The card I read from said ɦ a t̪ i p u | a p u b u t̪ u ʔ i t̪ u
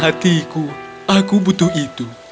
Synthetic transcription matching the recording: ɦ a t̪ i k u | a k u b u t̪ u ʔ i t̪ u